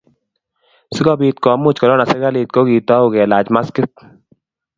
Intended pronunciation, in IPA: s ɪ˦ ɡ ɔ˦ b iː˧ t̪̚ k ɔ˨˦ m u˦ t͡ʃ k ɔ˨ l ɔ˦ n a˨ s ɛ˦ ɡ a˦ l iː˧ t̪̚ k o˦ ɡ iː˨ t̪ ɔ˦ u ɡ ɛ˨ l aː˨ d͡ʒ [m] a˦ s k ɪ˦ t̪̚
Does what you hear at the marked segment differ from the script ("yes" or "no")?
no